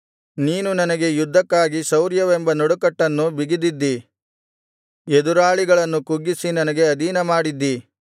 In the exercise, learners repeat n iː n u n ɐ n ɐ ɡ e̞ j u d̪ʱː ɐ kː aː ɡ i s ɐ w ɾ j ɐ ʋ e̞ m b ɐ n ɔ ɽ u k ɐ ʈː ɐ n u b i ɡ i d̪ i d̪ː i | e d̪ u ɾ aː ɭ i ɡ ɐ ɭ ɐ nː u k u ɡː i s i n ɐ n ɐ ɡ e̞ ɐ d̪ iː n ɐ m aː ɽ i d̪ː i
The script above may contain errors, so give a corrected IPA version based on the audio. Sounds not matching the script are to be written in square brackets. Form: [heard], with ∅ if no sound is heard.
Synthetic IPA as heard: n iː n u n ɐ n ɐ ɡ e̞ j u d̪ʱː ɐ kː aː ɡ i s ɐ w ɾ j ɐ ʋ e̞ m b ɐ n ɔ ɽ u k ɐ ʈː ɐ [nː] u b i ɡ i d̪ i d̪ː i | e d̪ u ɾ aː ɭ i ɡ ɐ ɭ ɐ nː u k u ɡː i s i n ɐ n ɐ ɡ e̞ ɐ d̪ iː n ɐ m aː ɽ i d̪ː i